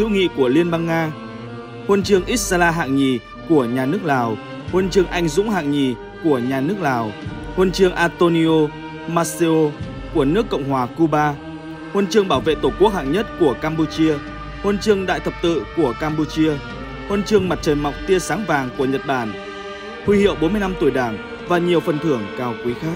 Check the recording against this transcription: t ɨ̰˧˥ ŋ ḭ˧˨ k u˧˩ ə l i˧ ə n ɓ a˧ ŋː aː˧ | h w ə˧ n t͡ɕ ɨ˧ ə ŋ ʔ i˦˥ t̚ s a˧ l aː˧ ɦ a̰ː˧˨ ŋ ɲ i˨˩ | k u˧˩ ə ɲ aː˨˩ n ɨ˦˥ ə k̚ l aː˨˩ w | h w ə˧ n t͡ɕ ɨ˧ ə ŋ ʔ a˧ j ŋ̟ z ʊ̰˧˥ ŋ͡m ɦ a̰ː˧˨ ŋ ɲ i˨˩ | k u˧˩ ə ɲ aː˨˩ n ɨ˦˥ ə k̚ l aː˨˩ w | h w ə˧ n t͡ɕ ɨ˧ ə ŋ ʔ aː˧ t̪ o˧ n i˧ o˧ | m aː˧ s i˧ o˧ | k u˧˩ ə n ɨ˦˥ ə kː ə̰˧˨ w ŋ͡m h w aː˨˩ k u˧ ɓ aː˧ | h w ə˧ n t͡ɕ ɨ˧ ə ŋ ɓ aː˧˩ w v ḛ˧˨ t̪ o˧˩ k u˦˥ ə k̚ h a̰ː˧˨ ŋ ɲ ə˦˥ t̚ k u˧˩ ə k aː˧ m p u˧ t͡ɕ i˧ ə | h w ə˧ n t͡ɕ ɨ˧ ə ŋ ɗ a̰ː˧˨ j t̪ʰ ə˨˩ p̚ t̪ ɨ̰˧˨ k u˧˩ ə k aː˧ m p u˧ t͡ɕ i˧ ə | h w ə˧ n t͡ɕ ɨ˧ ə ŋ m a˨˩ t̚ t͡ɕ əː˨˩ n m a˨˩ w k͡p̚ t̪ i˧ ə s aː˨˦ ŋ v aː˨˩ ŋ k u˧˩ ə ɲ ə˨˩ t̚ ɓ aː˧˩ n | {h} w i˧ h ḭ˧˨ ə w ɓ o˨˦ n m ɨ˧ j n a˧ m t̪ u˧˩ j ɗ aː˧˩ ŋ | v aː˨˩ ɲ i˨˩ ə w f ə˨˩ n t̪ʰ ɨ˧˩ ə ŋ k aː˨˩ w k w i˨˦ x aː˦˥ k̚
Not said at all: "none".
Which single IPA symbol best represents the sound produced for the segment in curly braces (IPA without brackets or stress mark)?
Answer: h